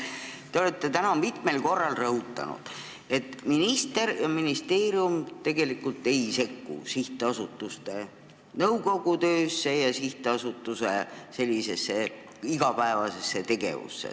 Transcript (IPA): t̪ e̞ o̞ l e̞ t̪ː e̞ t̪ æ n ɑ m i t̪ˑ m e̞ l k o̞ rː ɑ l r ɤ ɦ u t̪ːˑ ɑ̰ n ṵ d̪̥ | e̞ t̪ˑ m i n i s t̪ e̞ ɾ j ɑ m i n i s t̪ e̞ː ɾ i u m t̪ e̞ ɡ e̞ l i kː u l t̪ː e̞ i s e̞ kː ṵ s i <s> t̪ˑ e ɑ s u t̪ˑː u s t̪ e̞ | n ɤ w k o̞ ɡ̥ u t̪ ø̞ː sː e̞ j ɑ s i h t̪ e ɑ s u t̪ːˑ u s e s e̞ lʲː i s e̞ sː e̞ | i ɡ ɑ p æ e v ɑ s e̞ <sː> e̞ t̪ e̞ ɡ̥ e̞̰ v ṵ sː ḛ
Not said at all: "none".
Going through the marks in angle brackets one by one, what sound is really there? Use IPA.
h, sː

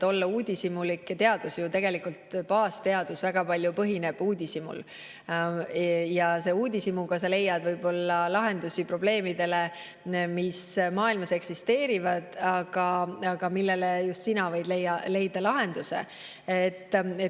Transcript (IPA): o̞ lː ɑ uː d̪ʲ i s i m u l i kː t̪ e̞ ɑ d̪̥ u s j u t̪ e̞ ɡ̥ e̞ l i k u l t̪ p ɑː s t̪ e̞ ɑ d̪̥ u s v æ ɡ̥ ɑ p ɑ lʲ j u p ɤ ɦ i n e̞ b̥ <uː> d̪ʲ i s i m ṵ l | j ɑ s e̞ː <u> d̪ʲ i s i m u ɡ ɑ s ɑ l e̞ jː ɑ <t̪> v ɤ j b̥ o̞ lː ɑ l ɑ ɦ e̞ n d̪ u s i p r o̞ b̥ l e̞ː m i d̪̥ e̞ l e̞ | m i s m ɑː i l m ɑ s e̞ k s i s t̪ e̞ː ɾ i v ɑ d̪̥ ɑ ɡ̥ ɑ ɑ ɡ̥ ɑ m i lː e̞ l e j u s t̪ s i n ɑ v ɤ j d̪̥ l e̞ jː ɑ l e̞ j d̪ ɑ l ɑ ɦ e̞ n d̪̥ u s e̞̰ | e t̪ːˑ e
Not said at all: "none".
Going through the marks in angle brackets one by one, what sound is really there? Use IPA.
uː, uː, d̪

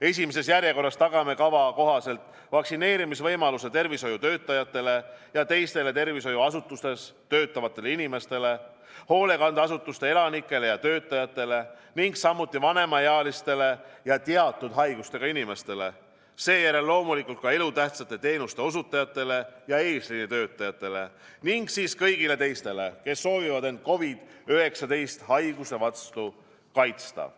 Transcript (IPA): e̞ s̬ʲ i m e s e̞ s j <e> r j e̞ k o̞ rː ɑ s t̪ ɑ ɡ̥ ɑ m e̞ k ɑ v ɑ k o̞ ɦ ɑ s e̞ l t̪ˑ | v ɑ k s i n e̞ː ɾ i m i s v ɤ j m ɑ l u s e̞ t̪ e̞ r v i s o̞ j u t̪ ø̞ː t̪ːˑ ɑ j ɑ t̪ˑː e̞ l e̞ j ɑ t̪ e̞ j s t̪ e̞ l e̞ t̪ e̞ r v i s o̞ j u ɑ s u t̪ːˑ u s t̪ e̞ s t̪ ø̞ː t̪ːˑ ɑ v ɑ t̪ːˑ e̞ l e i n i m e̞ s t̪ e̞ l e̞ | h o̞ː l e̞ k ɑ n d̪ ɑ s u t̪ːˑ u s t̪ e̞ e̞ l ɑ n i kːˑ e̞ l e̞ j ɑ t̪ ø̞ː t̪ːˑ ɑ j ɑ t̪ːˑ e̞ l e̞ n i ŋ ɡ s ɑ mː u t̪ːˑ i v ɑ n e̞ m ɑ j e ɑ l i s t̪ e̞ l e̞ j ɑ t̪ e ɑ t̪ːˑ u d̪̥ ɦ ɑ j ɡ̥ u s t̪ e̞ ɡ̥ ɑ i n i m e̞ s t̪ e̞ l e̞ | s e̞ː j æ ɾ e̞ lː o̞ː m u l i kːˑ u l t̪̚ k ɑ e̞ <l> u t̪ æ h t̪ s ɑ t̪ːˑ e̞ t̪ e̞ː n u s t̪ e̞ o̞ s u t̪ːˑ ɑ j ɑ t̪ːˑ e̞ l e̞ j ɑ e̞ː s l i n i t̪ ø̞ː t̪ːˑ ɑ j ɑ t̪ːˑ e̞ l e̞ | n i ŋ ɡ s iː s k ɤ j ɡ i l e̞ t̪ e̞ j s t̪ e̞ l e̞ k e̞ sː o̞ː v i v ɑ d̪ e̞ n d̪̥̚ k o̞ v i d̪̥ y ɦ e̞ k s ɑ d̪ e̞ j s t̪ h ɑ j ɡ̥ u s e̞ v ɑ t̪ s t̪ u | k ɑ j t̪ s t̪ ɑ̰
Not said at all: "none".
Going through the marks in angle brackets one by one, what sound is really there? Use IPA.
æ, l

